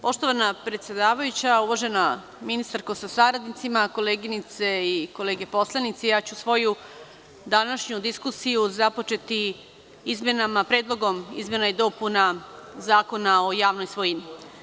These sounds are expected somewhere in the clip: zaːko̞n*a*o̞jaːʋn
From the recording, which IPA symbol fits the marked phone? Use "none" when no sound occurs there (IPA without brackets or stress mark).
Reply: a